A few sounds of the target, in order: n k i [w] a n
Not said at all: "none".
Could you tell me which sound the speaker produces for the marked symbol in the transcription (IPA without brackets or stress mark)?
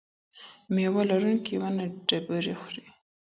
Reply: w